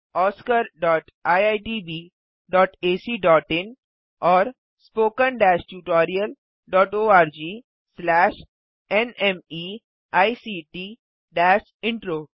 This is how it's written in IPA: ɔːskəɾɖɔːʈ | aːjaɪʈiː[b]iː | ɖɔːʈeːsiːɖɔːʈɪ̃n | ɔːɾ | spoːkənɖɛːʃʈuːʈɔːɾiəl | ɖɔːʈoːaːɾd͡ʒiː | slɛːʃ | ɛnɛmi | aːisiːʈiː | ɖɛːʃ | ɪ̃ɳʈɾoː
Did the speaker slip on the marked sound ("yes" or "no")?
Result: no